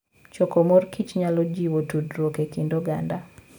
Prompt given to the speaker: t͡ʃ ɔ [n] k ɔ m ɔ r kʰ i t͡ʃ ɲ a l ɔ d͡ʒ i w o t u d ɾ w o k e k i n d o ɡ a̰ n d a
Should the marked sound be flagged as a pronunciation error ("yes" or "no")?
yes